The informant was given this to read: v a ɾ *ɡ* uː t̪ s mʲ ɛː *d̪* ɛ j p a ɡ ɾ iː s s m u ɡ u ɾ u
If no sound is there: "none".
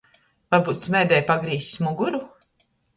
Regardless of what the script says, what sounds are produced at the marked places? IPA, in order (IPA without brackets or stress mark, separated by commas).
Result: b, d̪